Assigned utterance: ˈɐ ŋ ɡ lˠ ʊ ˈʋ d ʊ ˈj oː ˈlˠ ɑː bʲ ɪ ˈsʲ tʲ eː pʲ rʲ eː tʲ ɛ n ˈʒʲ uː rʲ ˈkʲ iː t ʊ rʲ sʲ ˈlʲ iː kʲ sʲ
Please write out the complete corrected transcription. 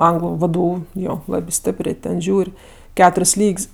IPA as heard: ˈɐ ŋ ɡ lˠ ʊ ˈʋ d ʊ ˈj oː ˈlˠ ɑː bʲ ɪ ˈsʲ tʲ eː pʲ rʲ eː tʲ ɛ n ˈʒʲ uː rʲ ˈkʲ æː t ʊ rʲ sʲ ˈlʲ iː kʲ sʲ